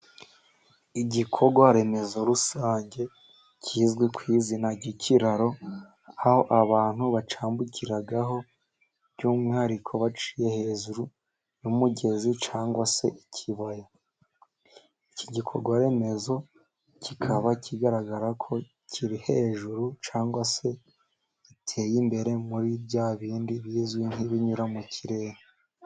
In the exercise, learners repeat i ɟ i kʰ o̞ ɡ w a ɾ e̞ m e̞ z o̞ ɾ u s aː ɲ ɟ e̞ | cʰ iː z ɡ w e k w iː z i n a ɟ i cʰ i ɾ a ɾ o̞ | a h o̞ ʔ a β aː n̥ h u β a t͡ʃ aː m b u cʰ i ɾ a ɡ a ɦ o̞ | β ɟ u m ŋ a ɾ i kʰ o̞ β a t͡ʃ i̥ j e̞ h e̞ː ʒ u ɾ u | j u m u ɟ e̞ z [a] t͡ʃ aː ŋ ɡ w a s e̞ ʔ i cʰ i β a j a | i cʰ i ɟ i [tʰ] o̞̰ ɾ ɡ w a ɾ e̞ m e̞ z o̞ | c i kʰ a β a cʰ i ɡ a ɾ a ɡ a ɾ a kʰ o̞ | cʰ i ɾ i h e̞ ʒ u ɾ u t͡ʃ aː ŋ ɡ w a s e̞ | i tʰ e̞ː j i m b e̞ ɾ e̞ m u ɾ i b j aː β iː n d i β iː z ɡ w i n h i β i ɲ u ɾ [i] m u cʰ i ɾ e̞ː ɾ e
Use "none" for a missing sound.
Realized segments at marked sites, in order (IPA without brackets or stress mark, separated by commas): i, kʰ, a